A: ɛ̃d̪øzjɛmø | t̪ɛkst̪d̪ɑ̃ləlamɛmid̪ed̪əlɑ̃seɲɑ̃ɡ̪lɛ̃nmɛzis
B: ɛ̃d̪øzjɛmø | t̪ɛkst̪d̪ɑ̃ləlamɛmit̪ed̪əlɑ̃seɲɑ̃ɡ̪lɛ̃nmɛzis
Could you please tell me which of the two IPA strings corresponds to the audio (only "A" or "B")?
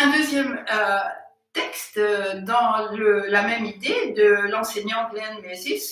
A